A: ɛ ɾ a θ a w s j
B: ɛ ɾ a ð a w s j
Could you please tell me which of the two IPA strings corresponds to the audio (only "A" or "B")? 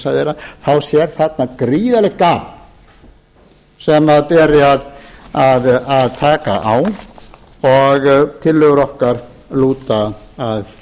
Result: A